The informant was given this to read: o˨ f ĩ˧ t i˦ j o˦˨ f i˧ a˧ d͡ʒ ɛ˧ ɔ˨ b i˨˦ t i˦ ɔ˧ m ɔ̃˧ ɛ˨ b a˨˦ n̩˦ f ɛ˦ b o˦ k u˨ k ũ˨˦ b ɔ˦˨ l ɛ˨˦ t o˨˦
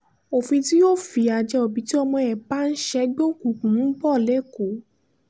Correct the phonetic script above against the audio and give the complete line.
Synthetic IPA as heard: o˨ f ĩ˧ t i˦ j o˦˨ f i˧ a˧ d͡ʒ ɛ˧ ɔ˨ b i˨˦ t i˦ ɔ˧ m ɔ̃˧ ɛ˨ b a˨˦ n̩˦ ʃ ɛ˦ ɡ͡b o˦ k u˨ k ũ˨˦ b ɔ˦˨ l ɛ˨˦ k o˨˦